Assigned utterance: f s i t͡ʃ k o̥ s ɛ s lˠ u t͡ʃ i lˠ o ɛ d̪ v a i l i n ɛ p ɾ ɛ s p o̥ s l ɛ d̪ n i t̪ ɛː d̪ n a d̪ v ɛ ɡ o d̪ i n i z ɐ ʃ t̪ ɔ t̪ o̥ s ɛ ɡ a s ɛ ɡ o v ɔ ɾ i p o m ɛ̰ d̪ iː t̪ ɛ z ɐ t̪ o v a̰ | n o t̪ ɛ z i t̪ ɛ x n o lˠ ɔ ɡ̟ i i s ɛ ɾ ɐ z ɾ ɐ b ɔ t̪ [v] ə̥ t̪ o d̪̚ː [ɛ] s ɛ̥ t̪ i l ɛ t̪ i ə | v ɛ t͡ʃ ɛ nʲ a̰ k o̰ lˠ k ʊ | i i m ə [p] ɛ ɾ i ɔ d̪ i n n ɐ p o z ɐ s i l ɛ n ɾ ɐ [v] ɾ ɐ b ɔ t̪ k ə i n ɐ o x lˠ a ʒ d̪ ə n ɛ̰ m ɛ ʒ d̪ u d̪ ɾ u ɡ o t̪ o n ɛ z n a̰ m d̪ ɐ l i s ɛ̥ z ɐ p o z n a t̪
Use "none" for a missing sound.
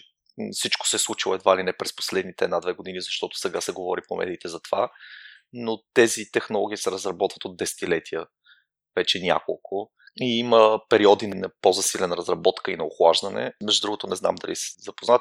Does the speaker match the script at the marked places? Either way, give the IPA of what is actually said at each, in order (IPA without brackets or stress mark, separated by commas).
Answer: v, ɛ, p, z